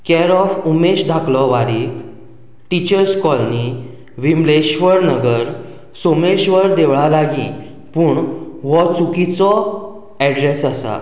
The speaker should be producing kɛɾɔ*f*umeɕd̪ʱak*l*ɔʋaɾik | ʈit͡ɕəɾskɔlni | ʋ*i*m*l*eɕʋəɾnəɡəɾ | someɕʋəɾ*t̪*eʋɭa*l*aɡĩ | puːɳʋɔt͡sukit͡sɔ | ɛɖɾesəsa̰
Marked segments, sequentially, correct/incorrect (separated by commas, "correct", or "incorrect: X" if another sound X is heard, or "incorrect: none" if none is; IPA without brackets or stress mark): correct, correct, correct, correct, incorrect: d̪, correct